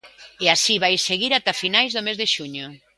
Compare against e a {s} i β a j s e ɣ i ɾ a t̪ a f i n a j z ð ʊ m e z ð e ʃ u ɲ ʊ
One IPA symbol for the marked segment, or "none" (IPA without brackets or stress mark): s